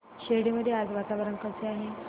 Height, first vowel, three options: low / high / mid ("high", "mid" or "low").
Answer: mid